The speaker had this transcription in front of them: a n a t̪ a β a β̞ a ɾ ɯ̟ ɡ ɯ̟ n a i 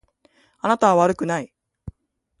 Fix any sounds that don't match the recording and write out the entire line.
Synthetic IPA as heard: a n a t̪ a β a β̞ a ɾ ɯ̟ k ɯ̟ n a i